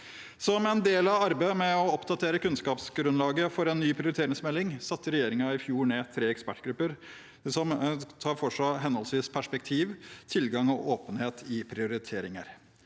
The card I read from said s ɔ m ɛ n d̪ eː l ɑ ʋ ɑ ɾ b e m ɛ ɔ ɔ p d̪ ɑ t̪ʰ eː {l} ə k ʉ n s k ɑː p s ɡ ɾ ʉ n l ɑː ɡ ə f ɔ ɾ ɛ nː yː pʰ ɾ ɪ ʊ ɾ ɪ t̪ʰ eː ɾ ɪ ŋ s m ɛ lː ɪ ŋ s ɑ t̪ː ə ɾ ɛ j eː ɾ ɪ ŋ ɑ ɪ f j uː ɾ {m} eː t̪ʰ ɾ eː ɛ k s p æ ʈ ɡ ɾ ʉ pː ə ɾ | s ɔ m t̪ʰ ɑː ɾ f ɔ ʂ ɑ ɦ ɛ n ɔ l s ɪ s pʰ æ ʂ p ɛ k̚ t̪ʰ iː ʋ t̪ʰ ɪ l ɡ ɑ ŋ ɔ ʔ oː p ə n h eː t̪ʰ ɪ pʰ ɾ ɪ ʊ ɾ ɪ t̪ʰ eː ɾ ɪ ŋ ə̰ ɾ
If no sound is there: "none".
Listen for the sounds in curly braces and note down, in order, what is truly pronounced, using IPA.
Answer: ɾ, ɳ

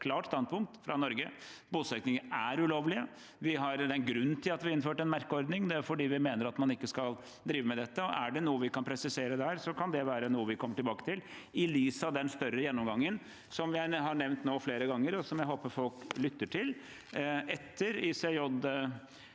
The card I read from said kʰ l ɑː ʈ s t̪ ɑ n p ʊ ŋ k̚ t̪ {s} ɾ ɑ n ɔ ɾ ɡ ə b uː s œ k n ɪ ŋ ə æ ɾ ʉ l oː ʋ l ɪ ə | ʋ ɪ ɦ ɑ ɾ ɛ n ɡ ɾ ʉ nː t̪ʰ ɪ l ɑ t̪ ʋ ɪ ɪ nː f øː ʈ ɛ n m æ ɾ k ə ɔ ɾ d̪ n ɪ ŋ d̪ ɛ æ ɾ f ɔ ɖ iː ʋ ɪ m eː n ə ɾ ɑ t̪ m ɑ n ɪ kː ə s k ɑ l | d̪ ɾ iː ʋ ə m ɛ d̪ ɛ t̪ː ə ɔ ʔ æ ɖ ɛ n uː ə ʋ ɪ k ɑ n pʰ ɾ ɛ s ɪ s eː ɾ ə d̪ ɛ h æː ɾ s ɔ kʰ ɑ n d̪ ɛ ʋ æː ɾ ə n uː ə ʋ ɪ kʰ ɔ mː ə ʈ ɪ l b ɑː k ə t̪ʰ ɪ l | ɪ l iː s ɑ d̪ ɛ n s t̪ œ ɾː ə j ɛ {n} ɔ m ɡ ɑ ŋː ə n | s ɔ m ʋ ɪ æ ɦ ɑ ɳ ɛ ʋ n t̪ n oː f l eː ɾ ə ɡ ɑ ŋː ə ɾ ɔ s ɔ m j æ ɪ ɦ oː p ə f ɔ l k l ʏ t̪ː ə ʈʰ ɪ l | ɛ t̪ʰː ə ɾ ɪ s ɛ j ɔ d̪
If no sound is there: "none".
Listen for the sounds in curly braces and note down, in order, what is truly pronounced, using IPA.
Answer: f, nː

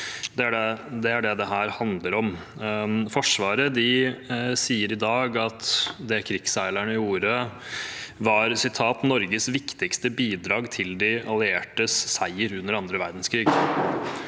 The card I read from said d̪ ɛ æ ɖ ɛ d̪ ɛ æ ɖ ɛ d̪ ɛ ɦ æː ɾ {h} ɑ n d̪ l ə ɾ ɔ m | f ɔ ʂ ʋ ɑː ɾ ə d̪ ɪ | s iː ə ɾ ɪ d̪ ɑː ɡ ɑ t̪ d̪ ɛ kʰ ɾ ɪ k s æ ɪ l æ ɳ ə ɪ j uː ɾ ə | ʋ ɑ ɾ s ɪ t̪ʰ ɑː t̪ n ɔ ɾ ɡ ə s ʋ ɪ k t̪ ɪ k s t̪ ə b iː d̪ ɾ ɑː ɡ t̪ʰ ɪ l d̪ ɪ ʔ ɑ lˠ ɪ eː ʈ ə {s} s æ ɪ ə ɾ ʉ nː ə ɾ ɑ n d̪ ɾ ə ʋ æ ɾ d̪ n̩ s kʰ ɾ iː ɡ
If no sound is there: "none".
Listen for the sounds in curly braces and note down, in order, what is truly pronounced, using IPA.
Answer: h, s

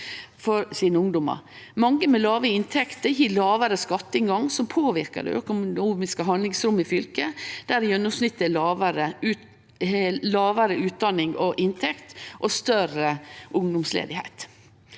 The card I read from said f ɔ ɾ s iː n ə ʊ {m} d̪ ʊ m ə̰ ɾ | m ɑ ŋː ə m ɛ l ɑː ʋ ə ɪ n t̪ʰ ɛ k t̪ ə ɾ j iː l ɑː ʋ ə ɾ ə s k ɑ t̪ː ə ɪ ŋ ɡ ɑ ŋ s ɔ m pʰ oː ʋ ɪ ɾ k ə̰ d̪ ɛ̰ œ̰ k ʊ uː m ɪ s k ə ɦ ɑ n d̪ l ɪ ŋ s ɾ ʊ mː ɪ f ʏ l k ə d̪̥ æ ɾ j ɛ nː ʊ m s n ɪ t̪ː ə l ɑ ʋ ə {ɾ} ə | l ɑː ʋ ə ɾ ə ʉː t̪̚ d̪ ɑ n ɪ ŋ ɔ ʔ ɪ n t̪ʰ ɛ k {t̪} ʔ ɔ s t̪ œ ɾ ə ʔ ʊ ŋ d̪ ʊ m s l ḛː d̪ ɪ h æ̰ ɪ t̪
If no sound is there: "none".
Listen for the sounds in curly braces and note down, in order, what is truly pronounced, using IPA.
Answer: ŋ, ɾ, t̪

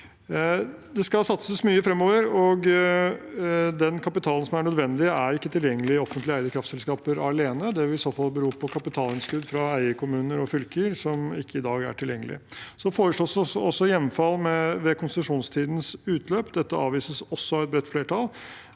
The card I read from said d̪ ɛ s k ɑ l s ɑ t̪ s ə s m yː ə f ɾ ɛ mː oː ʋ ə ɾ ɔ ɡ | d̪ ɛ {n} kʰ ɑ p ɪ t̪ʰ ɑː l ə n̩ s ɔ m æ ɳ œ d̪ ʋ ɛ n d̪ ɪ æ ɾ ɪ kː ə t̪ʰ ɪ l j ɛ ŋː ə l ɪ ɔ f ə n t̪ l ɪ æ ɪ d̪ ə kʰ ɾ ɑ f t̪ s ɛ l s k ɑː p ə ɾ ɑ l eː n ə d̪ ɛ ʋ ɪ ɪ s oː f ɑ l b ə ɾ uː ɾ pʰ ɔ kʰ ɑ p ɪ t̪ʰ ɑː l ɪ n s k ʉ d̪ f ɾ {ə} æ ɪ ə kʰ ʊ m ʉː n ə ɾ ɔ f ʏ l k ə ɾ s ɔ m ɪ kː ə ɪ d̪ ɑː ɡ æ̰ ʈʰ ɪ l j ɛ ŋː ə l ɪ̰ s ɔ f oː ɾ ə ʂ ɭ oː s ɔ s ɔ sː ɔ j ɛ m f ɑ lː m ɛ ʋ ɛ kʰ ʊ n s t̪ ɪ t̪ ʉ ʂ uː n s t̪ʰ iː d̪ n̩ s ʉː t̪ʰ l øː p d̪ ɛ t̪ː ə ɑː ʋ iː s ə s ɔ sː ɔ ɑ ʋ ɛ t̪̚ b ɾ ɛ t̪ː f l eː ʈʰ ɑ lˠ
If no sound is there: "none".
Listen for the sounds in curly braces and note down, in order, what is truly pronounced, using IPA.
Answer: n, ɑ

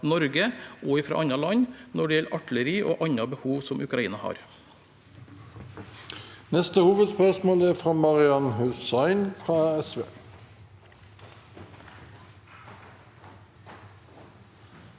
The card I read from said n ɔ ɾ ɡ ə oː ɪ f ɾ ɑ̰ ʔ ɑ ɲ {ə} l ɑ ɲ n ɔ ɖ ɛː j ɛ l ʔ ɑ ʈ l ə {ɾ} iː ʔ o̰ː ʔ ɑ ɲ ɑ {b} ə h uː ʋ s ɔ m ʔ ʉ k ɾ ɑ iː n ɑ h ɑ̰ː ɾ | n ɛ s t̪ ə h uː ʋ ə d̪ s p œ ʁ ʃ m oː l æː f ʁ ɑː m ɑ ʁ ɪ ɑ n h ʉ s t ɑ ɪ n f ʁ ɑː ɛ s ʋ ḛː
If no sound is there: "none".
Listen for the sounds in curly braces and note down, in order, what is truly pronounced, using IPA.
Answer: ɑ, ɾ, b

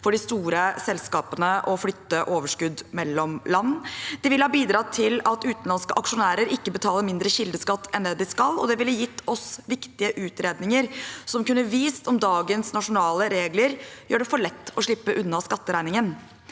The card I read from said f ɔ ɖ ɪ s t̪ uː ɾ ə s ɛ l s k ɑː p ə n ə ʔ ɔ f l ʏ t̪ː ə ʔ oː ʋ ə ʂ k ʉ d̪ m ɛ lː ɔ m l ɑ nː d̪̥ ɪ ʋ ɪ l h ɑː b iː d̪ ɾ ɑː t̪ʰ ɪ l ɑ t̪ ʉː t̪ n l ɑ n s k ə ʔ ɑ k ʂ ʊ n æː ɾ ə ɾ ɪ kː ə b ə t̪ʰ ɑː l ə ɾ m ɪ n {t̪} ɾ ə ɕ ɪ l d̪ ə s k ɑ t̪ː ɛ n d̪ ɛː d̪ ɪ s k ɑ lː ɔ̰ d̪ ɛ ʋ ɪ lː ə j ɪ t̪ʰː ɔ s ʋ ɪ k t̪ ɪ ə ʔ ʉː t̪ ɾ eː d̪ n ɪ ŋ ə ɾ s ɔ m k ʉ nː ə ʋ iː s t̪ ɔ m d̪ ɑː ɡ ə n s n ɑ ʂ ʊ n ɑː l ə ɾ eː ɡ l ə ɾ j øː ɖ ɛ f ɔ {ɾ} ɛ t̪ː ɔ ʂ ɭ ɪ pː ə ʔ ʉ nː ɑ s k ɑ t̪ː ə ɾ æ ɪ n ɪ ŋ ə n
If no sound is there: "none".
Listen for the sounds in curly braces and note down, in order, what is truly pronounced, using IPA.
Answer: d̪, ɭ

